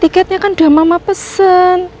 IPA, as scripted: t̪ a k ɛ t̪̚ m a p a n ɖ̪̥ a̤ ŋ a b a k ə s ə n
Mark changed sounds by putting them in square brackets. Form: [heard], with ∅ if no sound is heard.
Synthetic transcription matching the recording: t̪ [i] k ɛ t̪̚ [ɲ] a [k] a n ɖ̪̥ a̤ [m] a [m] a [p] ə s ə n